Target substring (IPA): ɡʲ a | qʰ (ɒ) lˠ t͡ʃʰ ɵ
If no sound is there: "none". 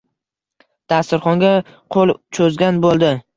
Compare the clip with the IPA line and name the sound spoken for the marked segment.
o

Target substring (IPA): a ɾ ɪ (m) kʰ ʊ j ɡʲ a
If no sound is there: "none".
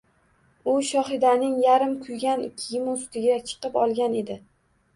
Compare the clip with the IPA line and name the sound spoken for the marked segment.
m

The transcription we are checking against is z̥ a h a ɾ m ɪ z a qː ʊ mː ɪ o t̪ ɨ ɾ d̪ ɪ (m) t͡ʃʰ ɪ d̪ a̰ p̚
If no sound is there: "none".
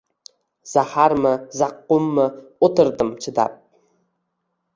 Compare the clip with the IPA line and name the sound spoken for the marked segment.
m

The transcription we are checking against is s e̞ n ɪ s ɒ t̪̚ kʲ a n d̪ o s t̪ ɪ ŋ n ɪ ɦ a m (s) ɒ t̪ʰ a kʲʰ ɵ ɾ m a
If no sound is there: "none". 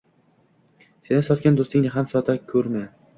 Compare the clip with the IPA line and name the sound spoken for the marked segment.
s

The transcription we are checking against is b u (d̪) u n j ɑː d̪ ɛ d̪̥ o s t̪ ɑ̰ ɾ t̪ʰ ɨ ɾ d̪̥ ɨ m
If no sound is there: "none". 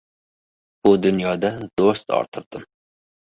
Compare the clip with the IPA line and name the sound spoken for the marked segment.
d̪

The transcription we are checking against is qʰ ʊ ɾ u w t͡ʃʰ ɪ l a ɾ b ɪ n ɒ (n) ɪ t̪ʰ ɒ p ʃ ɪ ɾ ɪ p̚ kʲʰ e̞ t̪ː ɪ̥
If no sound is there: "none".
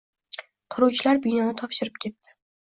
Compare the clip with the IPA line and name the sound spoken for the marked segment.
n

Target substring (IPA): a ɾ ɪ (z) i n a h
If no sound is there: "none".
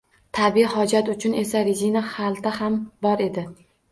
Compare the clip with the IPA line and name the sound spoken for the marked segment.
z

